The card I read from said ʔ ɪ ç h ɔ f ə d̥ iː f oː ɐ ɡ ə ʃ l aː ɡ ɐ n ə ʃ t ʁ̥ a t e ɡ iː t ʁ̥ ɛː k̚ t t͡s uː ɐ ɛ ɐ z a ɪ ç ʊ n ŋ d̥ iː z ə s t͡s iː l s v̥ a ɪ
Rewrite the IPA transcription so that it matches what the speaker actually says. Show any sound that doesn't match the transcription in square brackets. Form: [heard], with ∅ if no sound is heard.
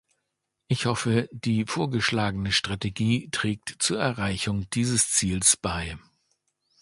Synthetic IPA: ʔ ɪ ç h ɔ f ə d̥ iː f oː ɐ ɡ ə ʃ l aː ɡ [ə] n ə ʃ t ʁ̥ a t e ɡ iː t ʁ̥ ɛː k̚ t t͡s uː ɐ ɛ ɐ [ʁ] a ɪ ç ʊ [∅] ŋ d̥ iː z ə s t͡s iː l s [b̥] a ɪ